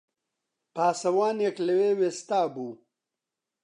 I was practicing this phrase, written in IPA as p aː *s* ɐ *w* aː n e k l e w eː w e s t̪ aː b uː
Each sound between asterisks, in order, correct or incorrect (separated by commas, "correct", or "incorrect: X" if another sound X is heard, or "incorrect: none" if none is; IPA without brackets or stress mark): correct, correct